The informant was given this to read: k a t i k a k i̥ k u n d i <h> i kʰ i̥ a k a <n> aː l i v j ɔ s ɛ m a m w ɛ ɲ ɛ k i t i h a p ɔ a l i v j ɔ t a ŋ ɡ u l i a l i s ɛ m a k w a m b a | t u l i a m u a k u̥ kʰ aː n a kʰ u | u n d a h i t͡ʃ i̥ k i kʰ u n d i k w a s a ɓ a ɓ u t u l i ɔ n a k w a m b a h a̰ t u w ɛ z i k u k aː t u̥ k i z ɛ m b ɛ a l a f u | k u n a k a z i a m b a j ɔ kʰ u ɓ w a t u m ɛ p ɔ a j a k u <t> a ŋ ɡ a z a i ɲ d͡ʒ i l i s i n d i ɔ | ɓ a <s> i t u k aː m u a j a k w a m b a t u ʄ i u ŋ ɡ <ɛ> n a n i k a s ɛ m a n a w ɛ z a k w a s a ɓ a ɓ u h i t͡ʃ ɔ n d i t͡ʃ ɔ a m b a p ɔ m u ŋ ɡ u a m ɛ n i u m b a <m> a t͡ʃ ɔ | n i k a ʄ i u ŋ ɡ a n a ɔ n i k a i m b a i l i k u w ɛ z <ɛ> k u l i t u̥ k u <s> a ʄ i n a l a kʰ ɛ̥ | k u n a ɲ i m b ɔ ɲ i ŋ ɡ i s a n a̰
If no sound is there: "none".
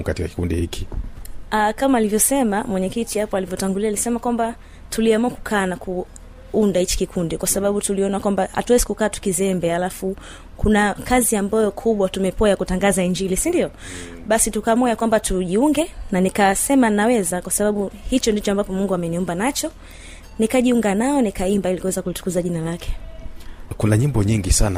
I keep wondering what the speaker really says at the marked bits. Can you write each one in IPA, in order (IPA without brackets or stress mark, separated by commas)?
h, m, t, s, ɛ, n, a, z